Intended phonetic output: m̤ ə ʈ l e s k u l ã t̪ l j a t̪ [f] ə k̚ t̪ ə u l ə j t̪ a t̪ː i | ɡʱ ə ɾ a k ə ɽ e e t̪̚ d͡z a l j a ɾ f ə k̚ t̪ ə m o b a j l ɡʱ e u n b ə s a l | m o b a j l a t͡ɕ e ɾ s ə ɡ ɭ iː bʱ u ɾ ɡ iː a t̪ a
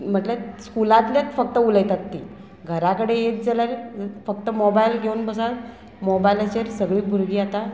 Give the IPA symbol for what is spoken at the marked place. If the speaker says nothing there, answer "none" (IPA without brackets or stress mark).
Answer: f